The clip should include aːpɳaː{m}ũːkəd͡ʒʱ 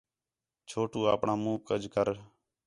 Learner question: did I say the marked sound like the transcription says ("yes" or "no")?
yes